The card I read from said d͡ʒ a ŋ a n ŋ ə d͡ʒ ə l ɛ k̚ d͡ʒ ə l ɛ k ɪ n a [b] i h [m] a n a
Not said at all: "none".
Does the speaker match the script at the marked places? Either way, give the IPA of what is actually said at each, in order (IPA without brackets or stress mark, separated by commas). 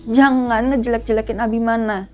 b, m